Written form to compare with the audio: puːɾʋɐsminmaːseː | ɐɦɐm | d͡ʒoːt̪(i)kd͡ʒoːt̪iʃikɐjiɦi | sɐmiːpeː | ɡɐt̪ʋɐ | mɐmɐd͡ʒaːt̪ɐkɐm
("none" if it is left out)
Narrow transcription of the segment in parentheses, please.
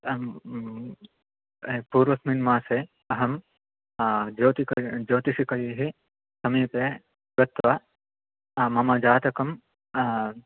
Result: i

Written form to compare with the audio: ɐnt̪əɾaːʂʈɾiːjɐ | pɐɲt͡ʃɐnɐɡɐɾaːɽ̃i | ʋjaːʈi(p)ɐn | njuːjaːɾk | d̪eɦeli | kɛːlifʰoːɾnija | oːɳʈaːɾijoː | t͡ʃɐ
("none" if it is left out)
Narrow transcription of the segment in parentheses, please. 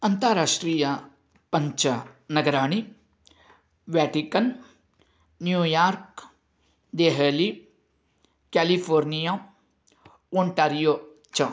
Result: k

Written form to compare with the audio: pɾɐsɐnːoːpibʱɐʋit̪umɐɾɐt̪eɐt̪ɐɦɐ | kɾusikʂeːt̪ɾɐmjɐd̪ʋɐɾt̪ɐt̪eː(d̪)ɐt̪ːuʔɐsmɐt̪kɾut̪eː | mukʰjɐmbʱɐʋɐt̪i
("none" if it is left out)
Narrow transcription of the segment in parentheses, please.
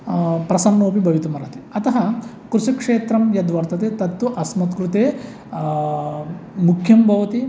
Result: t̪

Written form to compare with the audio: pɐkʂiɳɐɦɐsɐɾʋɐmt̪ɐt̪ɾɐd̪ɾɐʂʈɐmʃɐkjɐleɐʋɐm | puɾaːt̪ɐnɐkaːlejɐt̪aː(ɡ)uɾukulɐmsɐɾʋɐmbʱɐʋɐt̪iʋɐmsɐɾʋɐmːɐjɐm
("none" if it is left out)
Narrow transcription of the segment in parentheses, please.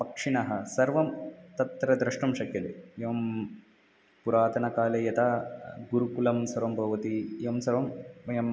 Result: ɡ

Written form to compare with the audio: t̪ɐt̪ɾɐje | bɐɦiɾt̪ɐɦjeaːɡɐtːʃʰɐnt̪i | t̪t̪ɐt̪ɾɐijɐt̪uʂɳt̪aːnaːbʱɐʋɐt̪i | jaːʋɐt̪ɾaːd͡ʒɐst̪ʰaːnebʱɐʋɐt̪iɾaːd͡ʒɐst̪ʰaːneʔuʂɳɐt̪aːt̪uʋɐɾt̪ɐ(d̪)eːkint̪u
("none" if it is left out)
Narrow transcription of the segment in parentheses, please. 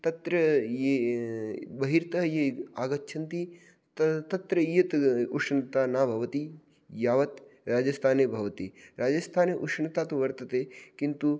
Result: t̪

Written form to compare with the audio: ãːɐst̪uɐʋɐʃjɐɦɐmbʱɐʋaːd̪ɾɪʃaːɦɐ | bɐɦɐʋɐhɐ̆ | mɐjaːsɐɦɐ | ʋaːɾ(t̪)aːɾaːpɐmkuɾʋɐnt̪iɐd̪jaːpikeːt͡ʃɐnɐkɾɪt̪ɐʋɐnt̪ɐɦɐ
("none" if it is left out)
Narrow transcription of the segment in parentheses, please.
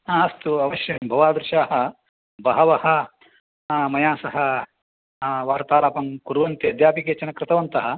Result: t̪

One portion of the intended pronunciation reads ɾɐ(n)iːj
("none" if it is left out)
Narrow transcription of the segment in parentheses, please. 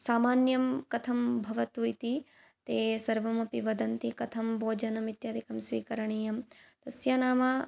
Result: ɳ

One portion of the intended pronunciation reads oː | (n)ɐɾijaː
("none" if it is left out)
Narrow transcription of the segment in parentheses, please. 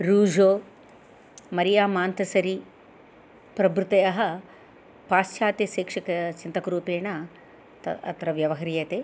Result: m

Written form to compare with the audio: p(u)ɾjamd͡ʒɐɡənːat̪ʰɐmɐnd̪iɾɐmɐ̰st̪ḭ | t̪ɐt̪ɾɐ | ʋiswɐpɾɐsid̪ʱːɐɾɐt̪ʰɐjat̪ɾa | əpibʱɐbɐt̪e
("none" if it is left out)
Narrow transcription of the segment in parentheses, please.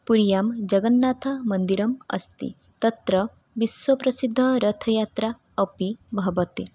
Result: u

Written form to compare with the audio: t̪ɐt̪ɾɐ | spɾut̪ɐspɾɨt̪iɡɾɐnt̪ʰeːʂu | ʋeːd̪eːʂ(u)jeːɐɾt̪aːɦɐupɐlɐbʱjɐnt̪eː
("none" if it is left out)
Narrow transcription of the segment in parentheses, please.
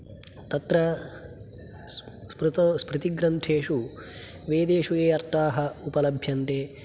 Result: u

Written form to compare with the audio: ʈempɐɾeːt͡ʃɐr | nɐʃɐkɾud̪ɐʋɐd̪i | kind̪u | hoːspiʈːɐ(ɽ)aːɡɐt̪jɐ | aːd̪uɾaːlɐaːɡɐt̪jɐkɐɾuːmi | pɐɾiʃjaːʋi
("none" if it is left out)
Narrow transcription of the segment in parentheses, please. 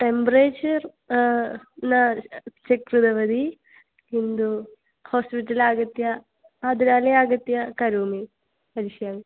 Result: l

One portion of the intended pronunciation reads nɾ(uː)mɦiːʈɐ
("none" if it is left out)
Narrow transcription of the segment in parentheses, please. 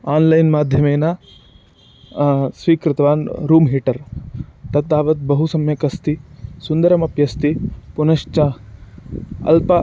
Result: uː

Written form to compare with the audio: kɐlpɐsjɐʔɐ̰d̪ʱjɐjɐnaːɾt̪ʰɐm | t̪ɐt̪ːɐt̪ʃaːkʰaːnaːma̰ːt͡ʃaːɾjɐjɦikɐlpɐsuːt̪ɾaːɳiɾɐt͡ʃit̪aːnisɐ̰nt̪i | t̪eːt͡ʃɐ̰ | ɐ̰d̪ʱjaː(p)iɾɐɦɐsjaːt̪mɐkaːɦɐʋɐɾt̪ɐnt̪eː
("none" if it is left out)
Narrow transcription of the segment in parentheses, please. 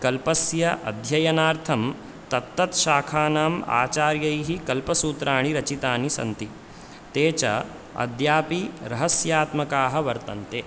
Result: p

